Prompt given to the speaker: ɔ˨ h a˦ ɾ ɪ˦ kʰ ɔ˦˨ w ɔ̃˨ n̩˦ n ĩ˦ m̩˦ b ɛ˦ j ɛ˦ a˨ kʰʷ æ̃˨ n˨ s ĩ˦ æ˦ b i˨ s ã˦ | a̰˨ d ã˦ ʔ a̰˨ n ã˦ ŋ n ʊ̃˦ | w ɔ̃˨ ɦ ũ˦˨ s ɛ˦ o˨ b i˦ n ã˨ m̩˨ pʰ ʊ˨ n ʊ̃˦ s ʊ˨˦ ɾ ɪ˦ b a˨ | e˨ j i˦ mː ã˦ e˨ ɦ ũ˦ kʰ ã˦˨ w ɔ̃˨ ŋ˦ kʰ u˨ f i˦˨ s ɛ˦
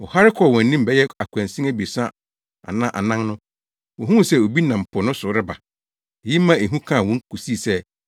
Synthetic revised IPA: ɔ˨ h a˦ ɾ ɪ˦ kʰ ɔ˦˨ w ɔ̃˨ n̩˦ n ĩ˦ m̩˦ b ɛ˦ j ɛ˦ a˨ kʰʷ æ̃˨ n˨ s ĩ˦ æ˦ b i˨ s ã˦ | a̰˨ n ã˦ ʔ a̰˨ n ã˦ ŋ n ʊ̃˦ | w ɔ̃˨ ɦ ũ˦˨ s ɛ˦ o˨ b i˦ n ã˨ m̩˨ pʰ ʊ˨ n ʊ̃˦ s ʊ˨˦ ɾ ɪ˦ b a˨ | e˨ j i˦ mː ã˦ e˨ ɦ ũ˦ kʰ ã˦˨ w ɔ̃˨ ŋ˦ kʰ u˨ s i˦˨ s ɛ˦